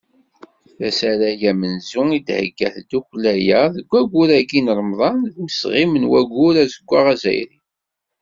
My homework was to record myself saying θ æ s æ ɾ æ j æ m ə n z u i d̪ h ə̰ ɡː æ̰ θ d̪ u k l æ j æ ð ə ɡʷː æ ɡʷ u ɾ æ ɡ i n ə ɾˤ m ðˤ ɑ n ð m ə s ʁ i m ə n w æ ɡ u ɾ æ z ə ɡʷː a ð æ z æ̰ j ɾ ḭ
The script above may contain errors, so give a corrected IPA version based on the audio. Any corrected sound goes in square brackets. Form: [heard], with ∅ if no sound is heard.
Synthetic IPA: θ æ s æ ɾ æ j æ m ə n z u i d̪ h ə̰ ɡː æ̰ θ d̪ u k l æ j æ ð ə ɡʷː æ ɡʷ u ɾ æ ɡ i n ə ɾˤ m ðˤ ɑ n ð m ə s ʁ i m ə n w æ ɡ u ɾ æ z ə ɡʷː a [ʁ] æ z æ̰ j ɾ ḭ